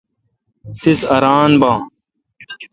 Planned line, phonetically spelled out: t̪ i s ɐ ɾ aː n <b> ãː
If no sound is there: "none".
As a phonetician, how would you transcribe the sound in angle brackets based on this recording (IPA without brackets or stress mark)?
b